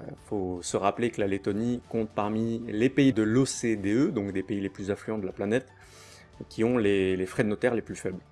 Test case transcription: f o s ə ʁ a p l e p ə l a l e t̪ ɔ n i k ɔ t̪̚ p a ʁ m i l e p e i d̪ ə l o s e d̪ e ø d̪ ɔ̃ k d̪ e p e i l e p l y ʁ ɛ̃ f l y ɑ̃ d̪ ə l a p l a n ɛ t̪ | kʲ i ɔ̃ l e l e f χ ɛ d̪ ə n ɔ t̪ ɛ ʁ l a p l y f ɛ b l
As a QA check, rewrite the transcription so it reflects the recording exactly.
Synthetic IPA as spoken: f o s ə ʁ a p l e k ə l a l e t̪ ɔ n i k ɔ̃ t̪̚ p a ʁ m i l e p e i d̪ ə l o s e d̪ e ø d̪ ɔ̃ k d̪ e p e i l e p l y z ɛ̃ f l y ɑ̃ d̪ ə l a p l a n ɛ t̪ | kʲ i ɔ̃ l e l e f χ ɛ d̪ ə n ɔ t̪ ɛ ʁ l e p l y f ɛ b l